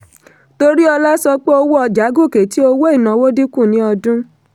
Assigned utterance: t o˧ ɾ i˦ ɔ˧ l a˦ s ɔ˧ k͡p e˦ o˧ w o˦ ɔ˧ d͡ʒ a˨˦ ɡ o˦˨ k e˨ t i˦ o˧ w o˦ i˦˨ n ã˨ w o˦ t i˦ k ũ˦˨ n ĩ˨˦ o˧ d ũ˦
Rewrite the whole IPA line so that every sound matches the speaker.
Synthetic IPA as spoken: t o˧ ɾ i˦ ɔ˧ l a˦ s ɔ˧ k͡p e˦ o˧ w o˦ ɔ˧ d͡ʒ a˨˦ ɡ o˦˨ k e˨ t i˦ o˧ w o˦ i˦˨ n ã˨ w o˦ d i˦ k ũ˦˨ n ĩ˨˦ ɔ˧ d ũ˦